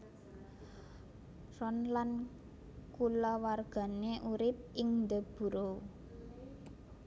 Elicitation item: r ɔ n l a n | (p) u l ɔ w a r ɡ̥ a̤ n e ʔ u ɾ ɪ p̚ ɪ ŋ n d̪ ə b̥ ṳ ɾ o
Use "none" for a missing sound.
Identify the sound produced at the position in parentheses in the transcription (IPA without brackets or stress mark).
k